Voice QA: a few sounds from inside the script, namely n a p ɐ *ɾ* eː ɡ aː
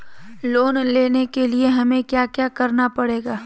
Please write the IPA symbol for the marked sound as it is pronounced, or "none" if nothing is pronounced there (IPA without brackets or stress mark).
ɽ